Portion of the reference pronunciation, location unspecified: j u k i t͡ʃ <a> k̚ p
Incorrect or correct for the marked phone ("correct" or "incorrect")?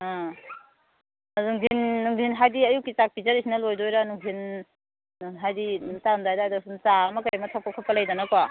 correct